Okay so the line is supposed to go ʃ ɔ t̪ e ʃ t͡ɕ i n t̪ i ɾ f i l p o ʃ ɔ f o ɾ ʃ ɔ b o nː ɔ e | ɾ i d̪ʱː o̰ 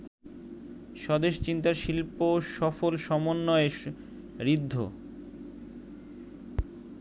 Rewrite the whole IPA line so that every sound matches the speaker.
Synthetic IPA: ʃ ɔ d̪ e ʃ t͡ɕ i n t̪ a ɾ ʃ i l p o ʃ ɔ f o l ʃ ɔ m o nː ɔ e | ɾ i d̪ʱː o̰